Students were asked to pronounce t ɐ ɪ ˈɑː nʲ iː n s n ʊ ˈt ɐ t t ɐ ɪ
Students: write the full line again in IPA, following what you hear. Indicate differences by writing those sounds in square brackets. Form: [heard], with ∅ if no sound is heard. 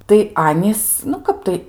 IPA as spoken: t ɐ ɪ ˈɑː nʲ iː [∅] s n ʊ [ˈk] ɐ [p] t ɐ ɪ

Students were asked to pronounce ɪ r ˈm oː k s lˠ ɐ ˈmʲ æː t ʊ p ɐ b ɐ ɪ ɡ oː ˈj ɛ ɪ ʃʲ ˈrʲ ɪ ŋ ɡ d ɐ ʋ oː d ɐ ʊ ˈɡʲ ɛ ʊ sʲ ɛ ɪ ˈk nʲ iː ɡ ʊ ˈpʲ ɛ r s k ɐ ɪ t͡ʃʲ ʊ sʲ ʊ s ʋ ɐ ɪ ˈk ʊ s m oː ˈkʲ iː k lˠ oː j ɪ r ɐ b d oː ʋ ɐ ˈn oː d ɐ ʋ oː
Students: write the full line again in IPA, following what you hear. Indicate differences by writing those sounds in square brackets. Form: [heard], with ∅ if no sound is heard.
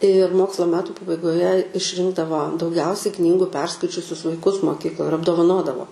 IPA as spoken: ɪ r ˈm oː k s lˠ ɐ ˈmʲ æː t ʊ p ɐ b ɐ ɪ ɡ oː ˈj ɛ ɪ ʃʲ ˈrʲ ɪ ŋ ɡ d ɐ ʋ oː d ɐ ʊ ˈɡʲ ɛ ʊ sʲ ɛ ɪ ˈk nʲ iː ɡ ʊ ˈpʲ ɛ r s k ɐ ɪ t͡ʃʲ ʊ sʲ ʊ s ʋ ɐ ɪ ˈk ʊ s m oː ˈkʲ iː k lˠ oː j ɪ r ɐ b d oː ʋ ɐ ˈn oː d ɐ ʋ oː

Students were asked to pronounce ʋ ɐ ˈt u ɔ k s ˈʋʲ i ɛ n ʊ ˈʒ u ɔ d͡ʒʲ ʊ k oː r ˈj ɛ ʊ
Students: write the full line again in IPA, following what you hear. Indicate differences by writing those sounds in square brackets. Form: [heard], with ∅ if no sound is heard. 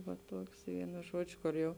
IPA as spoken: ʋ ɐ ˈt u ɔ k s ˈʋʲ i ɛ n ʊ ˈʒ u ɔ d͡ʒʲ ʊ k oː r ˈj ɛ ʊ

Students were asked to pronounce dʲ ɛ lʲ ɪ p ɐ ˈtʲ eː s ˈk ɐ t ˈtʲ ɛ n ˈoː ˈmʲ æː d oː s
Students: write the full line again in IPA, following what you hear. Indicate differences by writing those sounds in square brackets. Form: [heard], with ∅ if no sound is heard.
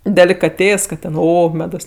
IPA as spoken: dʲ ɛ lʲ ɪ [k] ɐ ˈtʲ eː s ˈk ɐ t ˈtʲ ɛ n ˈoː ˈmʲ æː d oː s

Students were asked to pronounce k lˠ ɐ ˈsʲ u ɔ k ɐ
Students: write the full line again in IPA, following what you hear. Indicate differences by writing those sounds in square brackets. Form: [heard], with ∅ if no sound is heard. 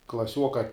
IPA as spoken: k lˠ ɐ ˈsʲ u ɔ k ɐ

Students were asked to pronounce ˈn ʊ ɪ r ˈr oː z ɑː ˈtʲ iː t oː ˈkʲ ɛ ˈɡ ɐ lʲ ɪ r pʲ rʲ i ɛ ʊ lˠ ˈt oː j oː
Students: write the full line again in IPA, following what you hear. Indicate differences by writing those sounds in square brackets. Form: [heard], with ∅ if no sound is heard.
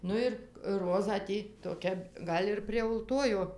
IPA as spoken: ˈn ʊ ɪ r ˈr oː z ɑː ˈtʲ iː t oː ˈkʲ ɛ ˈɡ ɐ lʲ ɪ r pʲ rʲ i ɛ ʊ lˠ ˈt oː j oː

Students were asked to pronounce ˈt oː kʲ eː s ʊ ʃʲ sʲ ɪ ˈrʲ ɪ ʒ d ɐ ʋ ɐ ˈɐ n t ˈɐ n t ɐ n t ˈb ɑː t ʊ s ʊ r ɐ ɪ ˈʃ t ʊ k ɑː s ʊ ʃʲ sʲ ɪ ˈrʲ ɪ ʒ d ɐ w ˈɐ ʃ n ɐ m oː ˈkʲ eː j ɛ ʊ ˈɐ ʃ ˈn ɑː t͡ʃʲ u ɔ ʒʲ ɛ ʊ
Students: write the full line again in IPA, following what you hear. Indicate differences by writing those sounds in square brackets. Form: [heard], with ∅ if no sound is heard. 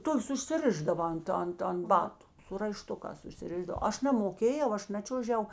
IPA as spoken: ˈt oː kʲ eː s ʊ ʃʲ sʲ ɪ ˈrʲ ɪ ʒ d ɐ ʋ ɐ ˈɐ n t ˈɐ n t ɐ n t ˈb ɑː t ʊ s ʊ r ɐ ɪ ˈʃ t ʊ k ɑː s ʊ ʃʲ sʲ ɪ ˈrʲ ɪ ʒ d ɐ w ˈɐ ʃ n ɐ m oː ˈkʲ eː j ɛ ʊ ˈɐ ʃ ˈn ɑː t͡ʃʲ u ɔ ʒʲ ɛ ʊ

